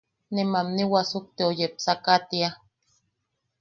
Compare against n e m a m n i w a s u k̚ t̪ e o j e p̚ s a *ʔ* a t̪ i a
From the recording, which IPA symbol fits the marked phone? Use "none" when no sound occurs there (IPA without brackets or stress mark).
k